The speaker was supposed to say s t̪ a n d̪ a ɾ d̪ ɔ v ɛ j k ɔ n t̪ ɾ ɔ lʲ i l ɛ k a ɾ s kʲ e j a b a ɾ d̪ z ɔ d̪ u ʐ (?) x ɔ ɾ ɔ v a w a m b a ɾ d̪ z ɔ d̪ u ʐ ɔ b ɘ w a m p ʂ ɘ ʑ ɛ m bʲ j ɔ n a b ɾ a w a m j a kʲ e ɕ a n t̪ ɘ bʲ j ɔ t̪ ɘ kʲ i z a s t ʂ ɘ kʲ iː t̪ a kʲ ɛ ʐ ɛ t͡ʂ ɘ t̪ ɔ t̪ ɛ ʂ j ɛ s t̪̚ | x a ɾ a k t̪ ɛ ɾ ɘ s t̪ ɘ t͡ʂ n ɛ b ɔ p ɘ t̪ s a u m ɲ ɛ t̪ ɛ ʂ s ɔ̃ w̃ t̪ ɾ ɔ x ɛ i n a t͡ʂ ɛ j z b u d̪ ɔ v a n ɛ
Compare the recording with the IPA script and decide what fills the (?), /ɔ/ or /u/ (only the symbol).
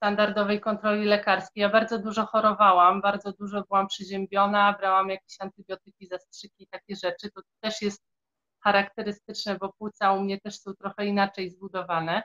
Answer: ɔ